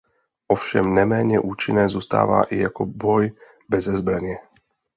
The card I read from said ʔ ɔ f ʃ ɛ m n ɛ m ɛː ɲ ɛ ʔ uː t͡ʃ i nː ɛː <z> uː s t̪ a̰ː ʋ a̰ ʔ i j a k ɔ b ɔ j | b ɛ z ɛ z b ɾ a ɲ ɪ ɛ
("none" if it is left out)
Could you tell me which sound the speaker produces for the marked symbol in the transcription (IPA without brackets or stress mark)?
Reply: z